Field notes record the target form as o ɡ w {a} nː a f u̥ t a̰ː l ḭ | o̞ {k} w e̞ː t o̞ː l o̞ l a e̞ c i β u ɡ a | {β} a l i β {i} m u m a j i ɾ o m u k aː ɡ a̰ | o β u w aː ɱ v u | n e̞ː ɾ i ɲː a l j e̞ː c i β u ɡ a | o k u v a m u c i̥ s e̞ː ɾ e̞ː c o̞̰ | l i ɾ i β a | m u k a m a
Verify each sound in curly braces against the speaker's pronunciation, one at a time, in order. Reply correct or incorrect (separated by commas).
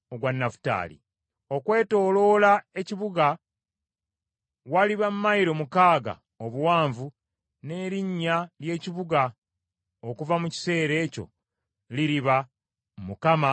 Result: correct, correct, incorrect, incorrect